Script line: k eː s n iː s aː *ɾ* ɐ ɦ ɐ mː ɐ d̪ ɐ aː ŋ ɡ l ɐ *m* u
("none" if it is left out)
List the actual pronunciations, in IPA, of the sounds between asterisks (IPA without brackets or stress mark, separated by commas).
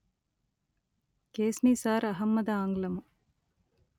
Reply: ɾ, m